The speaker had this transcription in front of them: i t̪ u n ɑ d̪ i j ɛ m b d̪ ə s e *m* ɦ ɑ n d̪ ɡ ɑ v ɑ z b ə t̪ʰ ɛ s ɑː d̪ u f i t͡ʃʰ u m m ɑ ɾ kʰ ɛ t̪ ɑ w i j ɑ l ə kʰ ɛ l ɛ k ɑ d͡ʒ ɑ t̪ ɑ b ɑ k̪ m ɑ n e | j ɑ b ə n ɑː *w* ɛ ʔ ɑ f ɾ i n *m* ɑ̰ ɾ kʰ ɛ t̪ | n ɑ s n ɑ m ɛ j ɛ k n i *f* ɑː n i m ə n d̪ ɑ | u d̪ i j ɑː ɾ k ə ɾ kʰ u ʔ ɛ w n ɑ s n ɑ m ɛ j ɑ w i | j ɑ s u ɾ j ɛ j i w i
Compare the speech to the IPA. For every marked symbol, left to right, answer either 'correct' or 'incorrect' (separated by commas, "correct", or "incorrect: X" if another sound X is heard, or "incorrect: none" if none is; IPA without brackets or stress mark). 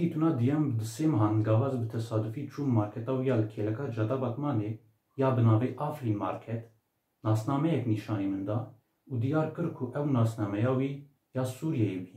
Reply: correct, incorrect: v, correct, incorrect: ʃ